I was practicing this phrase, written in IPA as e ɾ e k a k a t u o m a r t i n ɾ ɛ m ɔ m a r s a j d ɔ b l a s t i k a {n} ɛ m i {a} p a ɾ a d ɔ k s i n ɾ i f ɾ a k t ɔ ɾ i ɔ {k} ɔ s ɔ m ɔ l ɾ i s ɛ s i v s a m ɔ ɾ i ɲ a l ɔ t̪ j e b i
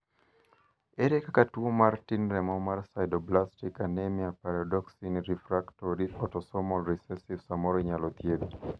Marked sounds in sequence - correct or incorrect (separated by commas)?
correct, correct, incorrect